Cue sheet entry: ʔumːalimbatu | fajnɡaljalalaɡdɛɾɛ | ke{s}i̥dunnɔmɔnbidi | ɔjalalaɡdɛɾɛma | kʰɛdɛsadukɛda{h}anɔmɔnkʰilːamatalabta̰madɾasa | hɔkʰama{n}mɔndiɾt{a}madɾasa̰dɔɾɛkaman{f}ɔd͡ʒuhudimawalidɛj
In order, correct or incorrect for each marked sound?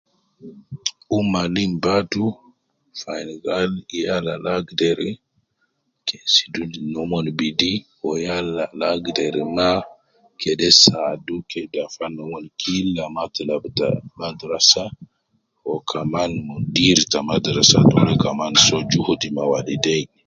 correct, incorrect, correct, correct, incorrect

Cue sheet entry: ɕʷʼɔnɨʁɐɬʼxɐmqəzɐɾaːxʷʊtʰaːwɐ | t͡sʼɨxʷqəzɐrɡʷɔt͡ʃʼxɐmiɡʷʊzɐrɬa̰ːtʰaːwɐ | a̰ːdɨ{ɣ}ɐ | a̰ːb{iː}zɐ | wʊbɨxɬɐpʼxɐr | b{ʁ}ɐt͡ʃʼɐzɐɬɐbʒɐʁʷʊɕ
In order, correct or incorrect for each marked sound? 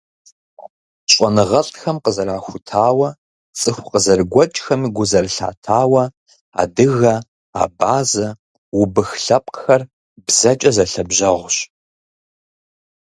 correct, incorrect, incorrect

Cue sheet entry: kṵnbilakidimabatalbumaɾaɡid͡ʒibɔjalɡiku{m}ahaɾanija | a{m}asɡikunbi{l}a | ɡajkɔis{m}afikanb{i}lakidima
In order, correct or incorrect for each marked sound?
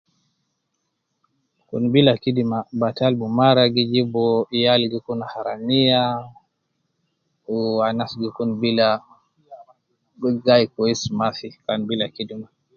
incorrect, incorrect, correct, correct, correct

